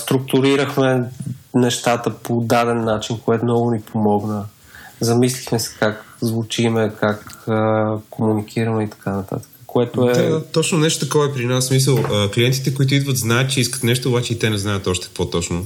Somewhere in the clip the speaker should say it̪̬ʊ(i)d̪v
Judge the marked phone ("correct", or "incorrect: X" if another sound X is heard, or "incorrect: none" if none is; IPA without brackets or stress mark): correct